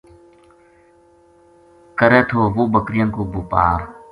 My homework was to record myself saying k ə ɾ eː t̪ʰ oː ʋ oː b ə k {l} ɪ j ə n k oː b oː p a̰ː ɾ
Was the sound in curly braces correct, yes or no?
no